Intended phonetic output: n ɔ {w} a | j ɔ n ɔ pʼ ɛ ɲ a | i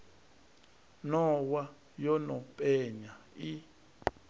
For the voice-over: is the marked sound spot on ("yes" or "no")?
yes